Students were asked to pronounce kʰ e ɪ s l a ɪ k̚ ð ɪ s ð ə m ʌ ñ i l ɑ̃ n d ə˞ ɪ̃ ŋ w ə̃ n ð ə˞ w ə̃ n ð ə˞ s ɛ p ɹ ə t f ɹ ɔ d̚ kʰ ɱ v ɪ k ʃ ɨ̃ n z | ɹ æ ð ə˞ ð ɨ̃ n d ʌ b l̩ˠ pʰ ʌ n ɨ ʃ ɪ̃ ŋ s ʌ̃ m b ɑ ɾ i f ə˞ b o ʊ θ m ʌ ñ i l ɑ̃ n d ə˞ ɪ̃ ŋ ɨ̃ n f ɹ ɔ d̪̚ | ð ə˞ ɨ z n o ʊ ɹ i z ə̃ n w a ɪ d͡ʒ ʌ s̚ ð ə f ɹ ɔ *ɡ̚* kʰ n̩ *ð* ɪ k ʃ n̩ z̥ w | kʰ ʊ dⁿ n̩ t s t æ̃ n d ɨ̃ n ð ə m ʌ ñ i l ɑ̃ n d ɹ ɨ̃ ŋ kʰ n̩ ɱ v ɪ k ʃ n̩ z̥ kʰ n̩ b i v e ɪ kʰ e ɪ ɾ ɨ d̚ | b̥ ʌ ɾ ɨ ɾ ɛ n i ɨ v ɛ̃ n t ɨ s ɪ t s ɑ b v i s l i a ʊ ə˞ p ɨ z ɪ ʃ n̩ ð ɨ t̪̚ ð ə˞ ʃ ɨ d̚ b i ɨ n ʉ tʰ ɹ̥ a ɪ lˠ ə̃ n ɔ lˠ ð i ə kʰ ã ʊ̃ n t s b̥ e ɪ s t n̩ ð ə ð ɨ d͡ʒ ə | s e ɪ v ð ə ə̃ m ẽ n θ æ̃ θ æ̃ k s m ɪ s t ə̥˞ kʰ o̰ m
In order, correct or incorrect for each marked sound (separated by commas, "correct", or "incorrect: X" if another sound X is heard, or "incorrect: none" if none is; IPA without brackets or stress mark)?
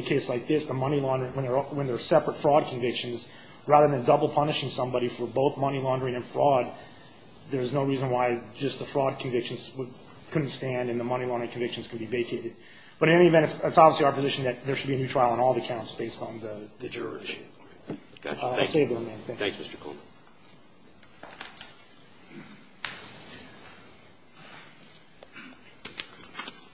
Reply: incorrect: d̚, incorrect: v